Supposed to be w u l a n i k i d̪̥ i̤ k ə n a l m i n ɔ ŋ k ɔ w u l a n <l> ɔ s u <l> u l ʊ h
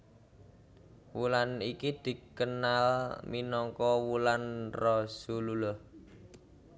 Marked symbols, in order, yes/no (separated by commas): no, yes